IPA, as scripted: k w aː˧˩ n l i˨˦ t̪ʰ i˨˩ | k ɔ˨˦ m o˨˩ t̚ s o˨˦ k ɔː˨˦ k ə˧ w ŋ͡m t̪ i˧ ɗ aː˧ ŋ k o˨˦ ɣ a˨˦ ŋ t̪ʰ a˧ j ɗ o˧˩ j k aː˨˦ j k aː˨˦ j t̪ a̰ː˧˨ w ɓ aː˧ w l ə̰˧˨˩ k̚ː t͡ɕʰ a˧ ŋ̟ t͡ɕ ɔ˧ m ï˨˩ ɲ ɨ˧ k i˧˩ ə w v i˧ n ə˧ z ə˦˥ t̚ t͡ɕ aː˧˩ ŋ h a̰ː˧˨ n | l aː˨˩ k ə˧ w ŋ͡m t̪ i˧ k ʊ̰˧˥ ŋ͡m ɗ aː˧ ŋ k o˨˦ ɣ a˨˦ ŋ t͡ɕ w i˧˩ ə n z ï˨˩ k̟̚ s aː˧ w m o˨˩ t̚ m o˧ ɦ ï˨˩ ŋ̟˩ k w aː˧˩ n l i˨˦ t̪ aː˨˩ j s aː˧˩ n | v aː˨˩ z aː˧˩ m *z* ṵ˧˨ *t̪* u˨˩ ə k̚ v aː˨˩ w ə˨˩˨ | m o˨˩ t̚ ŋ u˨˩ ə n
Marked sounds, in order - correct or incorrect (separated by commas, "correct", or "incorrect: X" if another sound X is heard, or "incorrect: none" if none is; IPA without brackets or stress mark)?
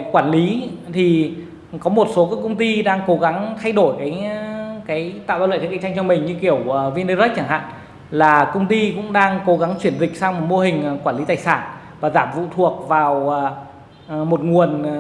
incorrect: v, incorrect: t̪ʰ